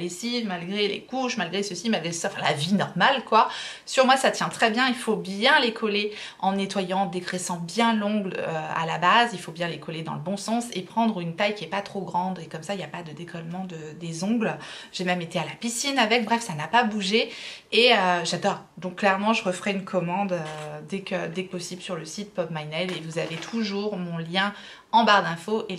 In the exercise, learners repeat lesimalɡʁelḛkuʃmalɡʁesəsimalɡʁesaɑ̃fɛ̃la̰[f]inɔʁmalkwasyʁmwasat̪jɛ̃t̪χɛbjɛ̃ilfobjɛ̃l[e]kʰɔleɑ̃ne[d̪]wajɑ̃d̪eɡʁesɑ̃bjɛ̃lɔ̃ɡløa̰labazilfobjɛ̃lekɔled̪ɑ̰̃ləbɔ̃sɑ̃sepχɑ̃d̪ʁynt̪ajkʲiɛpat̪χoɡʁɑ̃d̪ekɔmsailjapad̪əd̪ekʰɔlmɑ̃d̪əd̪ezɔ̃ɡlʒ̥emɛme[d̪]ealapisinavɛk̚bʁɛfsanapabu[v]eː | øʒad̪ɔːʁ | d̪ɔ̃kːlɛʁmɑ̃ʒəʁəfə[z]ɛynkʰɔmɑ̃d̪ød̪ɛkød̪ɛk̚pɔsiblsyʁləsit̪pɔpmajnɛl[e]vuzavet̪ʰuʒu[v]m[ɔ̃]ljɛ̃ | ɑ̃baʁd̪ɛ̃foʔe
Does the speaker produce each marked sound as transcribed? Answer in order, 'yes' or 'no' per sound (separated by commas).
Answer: no, yes, no, no, no, no, yes, no, yes